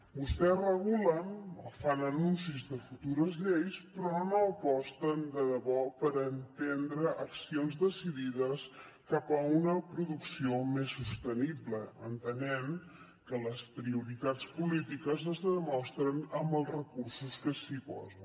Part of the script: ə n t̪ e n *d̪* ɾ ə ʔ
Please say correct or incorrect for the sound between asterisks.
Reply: correct